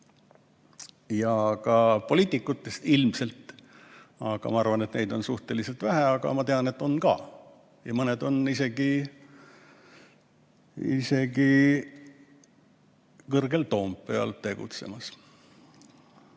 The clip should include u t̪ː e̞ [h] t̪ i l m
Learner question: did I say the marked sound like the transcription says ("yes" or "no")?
no